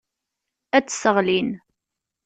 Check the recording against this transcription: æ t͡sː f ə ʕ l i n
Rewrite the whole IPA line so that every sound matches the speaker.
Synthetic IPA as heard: æ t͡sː s ə ʁ l i n